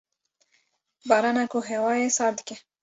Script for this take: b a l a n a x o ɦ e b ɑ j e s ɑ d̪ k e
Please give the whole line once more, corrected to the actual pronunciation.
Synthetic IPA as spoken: b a ɾ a n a k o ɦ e w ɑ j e s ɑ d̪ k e